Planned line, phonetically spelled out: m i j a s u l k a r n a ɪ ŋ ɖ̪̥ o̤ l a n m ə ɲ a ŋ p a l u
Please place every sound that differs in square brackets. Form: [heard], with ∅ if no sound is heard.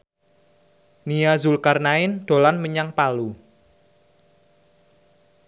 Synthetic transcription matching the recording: [n] i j a [z] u l k a r n a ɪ [n] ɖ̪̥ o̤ l a n m ə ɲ a ŋ p a l u